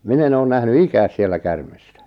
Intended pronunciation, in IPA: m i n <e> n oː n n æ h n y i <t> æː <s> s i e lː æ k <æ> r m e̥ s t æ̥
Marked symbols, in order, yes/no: yes, no, yes, yes

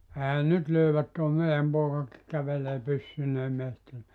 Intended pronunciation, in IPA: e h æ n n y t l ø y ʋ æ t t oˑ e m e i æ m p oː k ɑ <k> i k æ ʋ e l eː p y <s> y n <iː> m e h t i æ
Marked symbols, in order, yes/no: yes, no, no

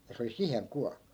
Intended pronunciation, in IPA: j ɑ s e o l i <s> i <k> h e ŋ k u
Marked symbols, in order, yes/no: yes, no

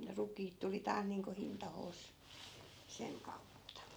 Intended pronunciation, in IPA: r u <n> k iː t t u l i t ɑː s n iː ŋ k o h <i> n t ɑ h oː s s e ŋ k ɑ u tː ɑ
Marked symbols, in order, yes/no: no, yes

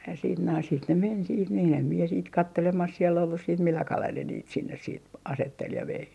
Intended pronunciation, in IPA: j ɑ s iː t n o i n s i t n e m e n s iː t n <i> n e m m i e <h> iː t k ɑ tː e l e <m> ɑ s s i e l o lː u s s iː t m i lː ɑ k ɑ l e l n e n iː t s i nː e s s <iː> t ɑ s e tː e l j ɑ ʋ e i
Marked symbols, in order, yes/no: no, no, yes, yes

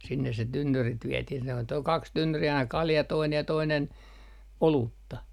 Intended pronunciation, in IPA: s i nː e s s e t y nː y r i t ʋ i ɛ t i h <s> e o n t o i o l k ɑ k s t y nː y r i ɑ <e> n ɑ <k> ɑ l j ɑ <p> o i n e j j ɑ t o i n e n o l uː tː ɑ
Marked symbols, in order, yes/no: yes, no, yes, no

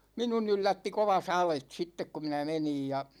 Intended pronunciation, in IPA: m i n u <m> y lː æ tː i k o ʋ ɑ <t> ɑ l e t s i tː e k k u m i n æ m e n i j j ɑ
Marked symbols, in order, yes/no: no, no

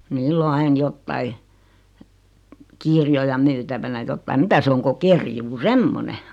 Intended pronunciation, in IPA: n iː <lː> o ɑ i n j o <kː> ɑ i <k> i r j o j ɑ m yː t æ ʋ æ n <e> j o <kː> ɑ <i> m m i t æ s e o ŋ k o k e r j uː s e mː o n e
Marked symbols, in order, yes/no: yes, no, yes, no, no, yes

